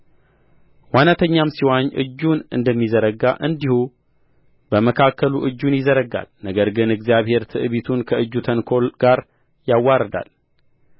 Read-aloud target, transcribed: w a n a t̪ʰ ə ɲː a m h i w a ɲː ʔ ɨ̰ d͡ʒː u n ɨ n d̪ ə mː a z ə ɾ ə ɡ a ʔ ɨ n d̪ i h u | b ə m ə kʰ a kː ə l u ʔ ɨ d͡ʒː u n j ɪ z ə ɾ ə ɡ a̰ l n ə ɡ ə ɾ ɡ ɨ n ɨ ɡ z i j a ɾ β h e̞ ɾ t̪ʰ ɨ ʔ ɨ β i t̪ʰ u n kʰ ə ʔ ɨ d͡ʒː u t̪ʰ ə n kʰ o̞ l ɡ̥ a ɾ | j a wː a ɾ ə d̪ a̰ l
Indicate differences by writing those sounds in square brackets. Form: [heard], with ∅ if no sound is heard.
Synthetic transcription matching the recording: w a n a t̪ʰ ə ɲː a m [s] i w a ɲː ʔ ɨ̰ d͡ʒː u n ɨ n d̪ ə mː [i] z ə ɾ ə ɡ a ʔ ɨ n d̪ i h u | b ə m ə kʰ a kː ə l u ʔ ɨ d͡ʒː u n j ɪ z ə ɾ ə ɡ a̰ l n ə ɡ ə ɾ ɡ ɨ n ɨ ɡ z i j a [∅] β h e̞ ɾ t̪ʰ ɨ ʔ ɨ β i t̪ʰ u n kʰ ə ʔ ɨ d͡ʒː u t̪ʰ ə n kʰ o̞ l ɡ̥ a ɾ | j a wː a ɾ ə d̪ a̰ l